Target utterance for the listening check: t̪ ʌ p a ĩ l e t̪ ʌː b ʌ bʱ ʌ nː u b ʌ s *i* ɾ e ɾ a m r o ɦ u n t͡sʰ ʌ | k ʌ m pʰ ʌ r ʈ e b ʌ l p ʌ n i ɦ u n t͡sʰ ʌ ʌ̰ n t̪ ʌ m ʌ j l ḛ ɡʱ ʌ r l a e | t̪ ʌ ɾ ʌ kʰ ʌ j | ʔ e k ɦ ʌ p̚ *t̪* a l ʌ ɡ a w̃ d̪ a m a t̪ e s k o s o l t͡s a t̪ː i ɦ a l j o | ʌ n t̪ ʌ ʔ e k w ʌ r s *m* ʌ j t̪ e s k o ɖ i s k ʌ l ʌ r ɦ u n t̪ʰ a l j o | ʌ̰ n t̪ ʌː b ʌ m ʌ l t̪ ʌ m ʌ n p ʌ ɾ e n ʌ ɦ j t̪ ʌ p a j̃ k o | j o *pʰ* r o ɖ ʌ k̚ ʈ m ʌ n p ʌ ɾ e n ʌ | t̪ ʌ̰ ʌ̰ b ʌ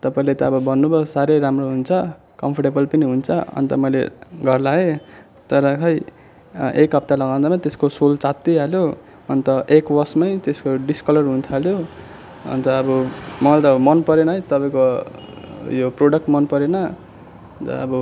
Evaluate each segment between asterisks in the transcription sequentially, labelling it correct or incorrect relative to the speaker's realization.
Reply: incorrect: a, correct, correct, incorrect: p

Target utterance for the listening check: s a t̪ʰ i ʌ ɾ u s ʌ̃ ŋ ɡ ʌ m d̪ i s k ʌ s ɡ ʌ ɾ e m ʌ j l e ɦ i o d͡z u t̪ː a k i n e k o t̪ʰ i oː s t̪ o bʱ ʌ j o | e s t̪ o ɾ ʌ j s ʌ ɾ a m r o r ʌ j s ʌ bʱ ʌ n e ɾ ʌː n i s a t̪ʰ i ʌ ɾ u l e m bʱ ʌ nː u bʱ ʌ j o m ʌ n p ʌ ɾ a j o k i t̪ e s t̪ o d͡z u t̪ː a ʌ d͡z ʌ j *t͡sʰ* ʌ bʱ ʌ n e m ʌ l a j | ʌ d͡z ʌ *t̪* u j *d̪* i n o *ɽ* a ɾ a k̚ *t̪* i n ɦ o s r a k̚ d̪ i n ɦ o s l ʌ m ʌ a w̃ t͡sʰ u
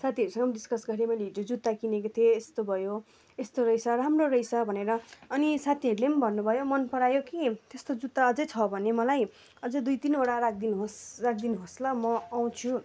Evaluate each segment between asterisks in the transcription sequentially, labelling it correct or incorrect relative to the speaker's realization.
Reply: correct, incorrect: d̪, incorrect: t̪, correct, incorrect: d̪

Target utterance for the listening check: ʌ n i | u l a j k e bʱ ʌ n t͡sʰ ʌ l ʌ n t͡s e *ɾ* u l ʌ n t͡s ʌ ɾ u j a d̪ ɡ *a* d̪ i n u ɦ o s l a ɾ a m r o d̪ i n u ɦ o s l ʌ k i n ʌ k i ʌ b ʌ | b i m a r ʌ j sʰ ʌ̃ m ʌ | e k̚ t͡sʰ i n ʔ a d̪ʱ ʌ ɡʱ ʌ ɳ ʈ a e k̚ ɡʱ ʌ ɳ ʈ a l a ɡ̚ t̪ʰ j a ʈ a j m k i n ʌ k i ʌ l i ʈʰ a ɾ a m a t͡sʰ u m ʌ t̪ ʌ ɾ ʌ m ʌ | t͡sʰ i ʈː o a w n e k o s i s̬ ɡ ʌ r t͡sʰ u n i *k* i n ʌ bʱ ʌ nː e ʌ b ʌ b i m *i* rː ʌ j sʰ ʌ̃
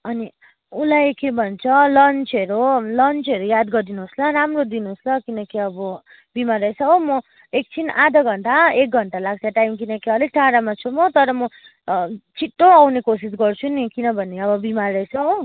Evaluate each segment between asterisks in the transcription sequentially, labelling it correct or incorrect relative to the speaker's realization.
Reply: correct, incorrect: ʌ, correct, incorrect: a

